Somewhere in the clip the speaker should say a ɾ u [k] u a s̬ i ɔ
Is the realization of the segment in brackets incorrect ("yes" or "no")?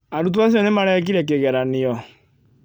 yes